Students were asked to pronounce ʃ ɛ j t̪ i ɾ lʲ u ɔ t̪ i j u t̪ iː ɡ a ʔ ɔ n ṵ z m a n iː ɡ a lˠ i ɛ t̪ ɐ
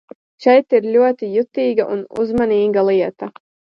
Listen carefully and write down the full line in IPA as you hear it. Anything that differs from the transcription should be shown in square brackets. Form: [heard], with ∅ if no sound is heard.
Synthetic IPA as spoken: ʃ ɛ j t̪ i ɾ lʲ u ɔ t̪ i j u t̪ iː ɡ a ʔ [u] n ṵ z m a n iː ɡ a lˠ i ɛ t̪ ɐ